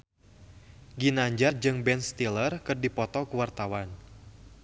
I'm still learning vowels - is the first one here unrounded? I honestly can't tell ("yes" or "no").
yes